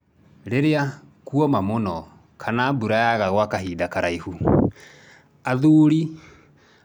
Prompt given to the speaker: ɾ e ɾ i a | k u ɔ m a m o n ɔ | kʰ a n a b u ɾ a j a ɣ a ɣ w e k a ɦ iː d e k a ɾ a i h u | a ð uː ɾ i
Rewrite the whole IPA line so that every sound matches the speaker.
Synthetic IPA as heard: ɾ e ɾ e a | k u ɔ m a m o n ɔ | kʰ a n a b u ɾ a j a ɣ a ɣ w a k a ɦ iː d a k a ɾ a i h u | a ð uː ɾ i